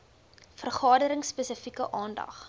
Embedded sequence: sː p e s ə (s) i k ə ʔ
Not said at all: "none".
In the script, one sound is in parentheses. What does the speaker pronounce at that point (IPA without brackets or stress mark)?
f